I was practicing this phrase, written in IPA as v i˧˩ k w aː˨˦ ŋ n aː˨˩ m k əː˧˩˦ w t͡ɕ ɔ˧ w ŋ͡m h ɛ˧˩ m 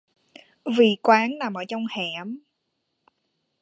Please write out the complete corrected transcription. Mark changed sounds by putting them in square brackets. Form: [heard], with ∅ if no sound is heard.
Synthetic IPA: v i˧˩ k w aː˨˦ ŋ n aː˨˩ m [ʔ] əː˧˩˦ [∅] t͡ɕ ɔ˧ w ŋ͡m h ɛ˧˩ m